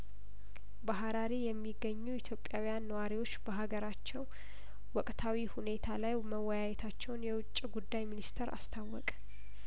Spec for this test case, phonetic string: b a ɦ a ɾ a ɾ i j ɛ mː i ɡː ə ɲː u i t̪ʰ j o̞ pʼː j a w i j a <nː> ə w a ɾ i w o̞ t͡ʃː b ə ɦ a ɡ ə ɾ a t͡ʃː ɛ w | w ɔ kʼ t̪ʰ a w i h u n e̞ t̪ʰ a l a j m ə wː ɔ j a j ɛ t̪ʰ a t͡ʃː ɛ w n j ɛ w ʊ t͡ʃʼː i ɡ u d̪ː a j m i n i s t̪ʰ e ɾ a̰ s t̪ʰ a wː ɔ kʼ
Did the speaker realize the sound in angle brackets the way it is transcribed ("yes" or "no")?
yes